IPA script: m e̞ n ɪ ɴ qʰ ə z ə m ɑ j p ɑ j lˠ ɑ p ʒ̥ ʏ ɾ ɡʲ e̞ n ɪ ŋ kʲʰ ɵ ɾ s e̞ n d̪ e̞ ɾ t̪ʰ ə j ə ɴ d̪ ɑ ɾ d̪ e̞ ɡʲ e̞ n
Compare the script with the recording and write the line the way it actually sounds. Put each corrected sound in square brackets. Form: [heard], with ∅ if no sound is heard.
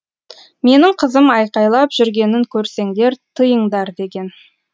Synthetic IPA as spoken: m e̞ n ɪ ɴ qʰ ə z ə m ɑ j [q] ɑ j lˠ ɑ p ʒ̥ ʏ ɾ ɡʲ e̞ n ɪ ŋ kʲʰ ɵ ɾ s e̞ [ŋ] d̪ e̞ ɾ t̪ʰ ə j ə ɴ d̪ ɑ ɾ d̪ e̞ ɡʲ e̞ n